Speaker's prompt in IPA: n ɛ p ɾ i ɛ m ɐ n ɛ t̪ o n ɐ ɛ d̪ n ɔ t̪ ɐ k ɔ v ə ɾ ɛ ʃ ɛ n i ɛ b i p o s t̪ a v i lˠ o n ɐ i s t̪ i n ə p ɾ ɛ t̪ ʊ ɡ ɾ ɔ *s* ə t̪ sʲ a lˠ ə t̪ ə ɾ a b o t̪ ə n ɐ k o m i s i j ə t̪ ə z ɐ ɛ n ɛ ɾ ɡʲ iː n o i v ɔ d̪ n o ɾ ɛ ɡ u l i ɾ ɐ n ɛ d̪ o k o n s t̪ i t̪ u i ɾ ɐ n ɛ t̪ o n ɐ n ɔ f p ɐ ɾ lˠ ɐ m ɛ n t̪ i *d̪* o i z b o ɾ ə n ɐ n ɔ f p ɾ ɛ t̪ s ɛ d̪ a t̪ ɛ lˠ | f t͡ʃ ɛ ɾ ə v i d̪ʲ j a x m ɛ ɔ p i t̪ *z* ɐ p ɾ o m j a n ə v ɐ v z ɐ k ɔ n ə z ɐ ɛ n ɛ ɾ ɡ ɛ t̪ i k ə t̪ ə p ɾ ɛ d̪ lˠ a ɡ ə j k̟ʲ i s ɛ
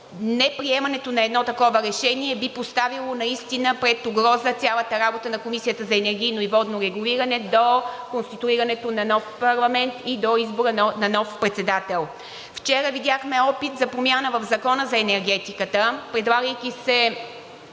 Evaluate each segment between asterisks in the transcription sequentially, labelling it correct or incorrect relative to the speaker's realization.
incorrect: z, correct, correct

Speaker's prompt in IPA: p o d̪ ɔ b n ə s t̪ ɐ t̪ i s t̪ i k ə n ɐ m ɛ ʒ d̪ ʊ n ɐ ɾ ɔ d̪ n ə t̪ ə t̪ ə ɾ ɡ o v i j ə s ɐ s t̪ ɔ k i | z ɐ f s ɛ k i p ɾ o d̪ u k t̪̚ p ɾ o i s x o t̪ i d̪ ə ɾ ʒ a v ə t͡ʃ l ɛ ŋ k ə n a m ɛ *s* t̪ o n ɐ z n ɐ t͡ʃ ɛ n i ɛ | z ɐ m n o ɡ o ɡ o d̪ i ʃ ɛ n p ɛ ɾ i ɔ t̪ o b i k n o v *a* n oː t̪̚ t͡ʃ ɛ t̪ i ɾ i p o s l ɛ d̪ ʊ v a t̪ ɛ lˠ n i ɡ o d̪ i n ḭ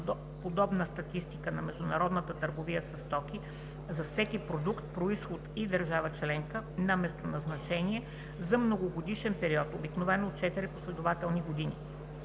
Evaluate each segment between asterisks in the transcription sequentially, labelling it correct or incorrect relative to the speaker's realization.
correct, incorrect: ɛ

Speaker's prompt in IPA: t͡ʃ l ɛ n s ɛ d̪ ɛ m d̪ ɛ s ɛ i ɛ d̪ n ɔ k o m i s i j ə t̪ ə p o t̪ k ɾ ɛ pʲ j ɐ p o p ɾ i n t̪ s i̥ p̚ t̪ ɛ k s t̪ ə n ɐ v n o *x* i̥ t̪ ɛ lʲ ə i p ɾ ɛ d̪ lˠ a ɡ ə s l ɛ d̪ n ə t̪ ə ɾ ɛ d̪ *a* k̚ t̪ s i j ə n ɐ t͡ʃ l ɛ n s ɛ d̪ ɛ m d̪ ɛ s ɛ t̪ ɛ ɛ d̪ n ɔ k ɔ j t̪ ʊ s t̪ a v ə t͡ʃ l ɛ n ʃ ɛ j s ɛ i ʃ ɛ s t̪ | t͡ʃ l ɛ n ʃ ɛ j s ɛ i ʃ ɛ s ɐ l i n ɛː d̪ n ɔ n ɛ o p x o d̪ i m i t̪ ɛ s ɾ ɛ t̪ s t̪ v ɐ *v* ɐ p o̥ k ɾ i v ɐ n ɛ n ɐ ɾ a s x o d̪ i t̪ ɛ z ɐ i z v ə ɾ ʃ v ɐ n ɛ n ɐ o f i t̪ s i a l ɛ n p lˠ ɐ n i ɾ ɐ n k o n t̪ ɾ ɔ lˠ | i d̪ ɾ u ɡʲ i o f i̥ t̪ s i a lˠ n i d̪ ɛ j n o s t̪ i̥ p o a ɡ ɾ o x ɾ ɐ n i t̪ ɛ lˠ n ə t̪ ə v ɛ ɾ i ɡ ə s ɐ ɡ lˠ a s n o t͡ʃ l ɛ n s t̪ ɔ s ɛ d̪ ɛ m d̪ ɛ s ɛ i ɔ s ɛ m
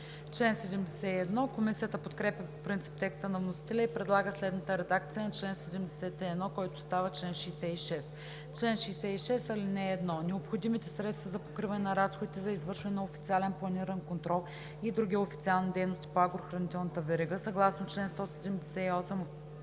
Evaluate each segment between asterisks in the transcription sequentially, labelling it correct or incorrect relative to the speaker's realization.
incorrect: s, correct, incorrect: z

